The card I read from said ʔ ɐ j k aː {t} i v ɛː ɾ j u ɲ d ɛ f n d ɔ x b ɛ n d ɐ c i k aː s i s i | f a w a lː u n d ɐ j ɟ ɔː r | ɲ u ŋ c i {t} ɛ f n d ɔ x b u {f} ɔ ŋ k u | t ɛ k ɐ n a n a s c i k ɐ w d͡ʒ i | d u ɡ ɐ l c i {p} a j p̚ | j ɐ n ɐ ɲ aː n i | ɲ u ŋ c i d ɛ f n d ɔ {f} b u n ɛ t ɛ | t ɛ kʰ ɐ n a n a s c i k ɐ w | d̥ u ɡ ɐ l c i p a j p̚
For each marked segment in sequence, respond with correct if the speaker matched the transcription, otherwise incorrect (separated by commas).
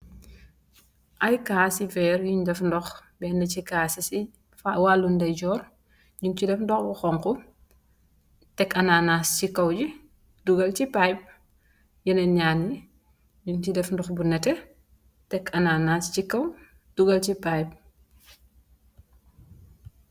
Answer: incorrect, incorrect, incorrect, correct, incorrect